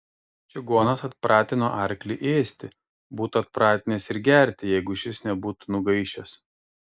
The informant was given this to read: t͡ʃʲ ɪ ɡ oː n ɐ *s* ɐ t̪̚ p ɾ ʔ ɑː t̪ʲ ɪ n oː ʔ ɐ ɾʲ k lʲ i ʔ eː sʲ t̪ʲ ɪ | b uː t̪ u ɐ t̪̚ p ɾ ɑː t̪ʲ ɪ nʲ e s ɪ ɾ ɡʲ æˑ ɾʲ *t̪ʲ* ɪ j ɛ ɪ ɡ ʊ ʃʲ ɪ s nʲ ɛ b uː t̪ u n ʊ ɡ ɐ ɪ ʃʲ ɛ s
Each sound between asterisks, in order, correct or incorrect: correct, correct

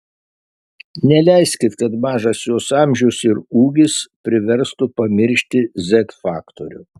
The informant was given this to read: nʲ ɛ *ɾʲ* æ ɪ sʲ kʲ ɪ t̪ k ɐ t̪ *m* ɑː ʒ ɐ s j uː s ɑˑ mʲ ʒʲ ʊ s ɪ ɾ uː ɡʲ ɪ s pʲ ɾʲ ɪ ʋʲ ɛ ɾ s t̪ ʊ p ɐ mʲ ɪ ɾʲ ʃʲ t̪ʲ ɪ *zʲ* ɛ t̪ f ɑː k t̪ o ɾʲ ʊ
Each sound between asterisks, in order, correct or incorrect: incorrect, correct, correct

